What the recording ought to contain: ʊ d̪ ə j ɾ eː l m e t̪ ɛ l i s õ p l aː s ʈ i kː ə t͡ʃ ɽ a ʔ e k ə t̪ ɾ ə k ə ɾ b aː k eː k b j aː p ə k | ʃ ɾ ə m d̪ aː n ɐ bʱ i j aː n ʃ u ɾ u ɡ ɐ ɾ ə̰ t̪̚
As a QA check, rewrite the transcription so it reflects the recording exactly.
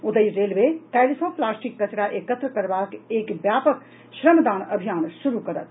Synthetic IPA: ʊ d̪ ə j ɾ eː l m e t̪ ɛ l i s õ p l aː s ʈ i kː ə t͡ʃ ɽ a ʔ e k ə t̪ ɾ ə k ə ɾ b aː k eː k b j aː p ə k | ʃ ɾ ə m d̪ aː n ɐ bʱ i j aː n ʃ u ɾ u k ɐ ɾ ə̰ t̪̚

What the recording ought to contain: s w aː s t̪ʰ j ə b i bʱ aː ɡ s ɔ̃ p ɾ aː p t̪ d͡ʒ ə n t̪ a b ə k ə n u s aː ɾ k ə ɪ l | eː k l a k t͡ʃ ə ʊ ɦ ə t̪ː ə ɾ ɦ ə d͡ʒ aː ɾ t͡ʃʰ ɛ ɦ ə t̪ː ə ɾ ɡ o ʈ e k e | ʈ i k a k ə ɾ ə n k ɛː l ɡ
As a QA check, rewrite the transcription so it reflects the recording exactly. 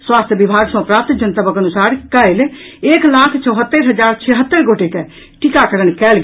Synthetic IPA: s w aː s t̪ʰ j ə b i bʱ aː ɡ s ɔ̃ p ɾ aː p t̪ d͡ʒ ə n t̪ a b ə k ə n u s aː ɾ k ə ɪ l | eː k l a kʰ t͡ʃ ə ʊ ɦ ə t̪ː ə ɾ ɦ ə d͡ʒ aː ɾ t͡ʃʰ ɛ ɦ ə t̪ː ə ɾ ɡ o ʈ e k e | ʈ i k a k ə ɾ ə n k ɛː l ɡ

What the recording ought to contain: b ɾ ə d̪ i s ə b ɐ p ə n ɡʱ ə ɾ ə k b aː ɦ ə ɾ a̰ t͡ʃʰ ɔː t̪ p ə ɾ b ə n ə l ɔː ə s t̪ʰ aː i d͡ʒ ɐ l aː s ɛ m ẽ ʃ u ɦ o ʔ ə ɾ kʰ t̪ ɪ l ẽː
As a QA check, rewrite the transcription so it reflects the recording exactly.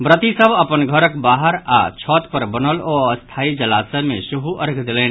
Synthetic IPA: b ɾ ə t̪ i s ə b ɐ p ə n ɡʱ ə ɾ ə k b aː ɦ ə ɾ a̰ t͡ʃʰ ɔː t̪ p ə ɾ b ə n ə l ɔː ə s t̪ʰ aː i d͡ʒ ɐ l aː s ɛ m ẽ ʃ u ɦ u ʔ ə ɾ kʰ d̪ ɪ l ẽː

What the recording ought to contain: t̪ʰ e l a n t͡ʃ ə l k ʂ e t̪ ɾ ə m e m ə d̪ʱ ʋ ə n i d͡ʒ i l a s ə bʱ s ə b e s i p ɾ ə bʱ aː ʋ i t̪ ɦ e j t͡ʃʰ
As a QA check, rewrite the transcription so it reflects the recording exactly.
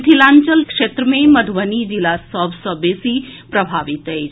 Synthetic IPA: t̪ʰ i l a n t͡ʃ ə l k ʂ e t̪ ɾ ə m e m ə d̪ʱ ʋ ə n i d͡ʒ i l a s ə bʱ s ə b e s i p ɾ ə bʱ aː ʋ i t̪ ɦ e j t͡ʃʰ

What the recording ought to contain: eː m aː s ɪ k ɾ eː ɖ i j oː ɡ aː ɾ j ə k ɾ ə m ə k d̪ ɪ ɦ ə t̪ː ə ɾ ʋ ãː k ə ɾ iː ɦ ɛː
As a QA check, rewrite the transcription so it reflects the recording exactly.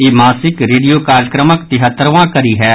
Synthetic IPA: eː m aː s ɪ k ɾ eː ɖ i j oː k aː ɾ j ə k ɾ ə m ə k t̪ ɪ ɦ ə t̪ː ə ɾ ʋ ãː k ə ɾ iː ɦ ɛː

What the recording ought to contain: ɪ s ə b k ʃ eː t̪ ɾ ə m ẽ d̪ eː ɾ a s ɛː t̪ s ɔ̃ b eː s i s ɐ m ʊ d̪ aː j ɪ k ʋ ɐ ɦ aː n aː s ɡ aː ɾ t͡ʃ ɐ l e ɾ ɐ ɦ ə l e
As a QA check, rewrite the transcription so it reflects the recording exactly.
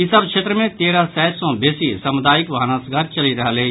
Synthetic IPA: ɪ s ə b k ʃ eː t̪ ɾ ə m ẽ t̪ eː ɾ a s ɛː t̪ s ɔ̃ b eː s i s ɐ m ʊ d̪ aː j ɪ k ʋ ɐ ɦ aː n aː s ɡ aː ɾ t͡ʃ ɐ l i ɾ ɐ ɦ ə l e

